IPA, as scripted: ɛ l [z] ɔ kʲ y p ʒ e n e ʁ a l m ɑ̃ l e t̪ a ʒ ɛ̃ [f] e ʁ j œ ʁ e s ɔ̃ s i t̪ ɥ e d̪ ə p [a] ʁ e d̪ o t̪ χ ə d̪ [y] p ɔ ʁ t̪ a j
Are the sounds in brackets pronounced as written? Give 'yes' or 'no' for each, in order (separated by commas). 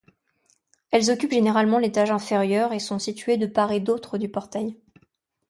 yes, yes, yes, yes